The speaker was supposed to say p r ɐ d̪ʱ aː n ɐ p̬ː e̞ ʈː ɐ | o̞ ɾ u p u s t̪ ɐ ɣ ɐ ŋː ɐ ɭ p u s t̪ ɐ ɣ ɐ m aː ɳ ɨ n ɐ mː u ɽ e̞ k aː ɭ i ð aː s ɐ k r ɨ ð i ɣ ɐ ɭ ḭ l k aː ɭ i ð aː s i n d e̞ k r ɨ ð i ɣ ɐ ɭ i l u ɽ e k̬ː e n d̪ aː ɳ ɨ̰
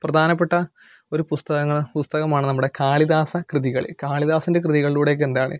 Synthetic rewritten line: p r ɐ d̪ʱ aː n ɐ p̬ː e̞ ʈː ɐ | o̞ ɾ u p u s t̪ ɐ ɣ ɐ ŋː ɐ ɭ p u s t̪ ɐ ɣ ɐ m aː ɳ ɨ n ɐ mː u ɽ e̞ k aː ɭ i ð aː s ɐ k r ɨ ð i ɣ ɐ ɭ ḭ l k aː ɭ i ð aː s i n d e̞ k r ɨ ð i ɣ ɐ ɭ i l uː ɽ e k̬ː e n d̪ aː ɳ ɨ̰